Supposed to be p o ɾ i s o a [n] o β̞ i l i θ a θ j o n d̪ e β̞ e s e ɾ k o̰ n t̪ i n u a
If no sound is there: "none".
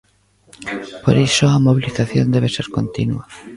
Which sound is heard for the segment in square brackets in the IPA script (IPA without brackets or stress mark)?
m